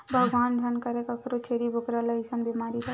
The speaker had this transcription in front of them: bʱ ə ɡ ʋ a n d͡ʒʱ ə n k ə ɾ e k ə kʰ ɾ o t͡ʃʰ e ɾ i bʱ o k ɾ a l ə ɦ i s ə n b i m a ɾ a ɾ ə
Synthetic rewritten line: bʱ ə ɡ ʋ a n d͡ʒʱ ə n k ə ɾ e k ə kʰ ɾ o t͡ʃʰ e ɾ i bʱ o k ɾ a l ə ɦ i s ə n b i m a ɾ i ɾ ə